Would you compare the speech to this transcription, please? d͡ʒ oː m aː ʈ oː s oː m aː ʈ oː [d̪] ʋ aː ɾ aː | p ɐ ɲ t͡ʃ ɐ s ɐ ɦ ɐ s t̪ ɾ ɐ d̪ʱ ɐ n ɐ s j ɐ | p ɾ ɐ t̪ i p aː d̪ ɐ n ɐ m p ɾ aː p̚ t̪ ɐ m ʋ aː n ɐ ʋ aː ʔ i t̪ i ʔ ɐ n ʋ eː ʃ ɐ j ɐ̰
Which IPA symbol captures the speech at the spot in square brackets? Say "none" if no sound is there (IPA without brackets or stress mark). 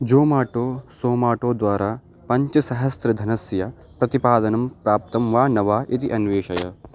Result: d̪